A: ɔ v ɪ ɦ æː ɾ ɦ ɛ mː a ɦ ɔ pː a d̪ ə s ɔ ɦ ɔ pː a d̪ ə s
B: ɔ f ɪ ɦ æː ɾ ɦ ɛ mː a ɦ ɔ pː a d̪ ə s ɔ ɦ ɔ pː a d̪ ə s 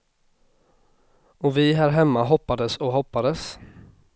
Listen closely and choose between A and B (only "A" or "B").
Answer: A